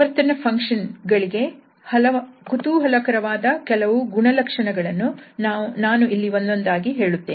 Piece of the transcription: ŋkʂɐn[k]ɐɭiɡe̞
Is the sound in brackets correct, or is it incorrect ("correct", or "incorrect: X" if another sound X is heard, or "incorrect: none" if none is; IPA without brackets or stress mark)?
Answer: incorrect: ɡ